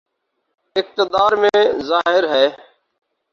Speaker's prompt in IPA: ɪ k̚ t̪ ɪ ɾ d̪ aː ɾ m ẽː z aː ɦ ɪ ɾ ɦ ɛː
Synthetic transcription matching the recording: ɪ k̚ t̪ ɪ d̪ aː ɾ m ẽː z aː ɦ ɪ ɾ ɦ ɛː